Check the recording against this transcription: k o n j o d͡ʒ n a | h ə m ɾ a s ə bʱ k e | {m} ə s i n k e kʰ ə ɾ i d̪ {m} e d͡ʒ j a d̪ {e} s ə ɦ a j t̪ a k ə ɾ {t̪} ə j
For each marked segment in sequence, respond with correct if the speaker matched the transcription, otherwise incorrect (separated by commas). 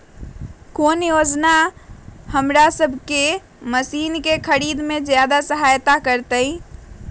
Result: correct, correct, incorrect, correct